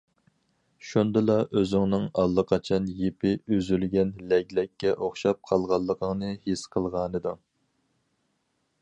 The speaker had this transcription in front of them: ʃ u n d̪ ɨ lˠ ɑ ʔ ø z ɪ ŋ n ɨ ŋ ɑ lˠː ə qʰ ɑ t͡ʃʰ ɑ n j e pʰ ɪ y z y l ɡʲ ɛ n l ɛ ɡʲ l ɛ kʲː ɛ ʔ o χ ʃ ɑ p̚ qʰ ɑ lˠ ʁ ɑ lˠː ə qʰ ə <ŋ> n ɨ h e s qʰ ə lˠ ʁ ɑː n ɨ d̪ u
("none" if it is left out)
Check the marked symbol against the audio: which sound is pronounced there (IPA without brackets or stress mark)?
ŋ